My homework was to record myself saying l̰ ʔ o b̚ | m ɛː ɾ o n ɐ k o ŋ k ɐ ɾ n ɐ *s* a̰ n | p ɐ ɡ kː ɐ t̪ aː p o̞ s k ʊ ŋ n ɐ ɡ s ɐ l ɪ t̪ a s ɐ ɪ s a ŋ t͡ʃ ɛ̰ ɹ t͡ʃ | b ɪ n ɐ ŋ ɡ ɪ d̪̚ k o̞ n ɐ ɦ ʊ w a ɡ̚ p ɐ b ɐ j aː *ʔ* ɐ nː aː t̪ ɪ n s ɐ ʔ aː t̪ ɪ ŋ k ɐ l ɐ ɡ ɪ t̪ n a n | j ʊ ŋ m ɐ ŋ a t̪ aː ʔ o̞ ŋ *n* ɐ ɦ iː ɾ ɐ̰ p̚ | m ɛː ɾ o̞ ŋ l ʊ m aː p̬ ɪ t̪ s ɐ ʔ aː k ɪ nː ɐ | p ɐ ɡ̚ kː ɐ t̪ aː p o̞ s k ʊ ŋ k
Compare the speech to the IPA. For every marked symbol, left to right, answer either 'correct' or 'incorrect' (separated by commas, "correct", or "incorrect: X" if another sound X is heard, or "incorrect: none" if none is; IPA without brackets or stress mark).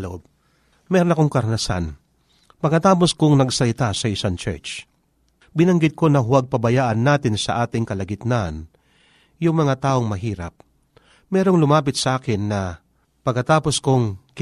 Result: correct, correct, incorrect: m